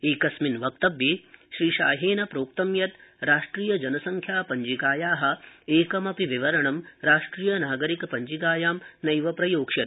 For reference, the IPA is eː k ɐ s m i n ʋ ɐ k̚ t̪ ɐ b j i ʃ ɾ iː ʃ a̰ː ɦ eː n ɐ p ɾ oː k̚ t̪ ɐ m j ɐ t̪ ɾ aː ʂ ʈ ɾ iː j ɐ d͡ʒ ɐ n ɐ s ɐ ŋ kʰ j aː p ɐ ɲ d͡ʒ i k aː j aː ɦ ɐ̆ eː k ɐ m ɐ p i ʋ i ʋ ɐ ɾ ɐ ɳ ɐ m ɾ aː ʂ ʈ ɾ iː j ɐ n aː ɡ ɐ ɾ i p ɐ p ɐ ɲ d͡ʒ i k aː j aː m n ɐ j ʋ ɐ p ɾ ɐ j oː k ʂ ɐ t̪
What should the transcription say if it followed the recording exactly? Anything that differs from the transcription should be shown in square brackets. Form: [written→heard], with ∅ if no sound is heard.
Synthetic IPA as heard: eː k ɐ s m i n ʋ ɐ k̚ t̪ ɐ b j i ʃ ɾ iː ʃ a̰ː ɦ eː n ɐ p ɾ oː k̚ t̪ ɐ m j ɐ t̪ ɾ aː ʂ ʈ ɾ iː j ɐ d͡ʒ ɐ n ɐ s ɐ ŋ kʰ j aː p ɐ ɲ d͡ʒ i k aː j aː ɦ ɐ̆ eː k ɐ m ɐ p i ʋ i ʋ ɐ ɾ ɐ ɳ ɐ m ɾ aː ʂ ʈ ɾ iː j ɐ n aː ɡ ɐ ɾ i [p→k] ɐ p ɐ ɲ d͡ʒ i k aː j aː m n ɐ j ʋ ɐ p ɾ ɐ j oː k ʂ ɐ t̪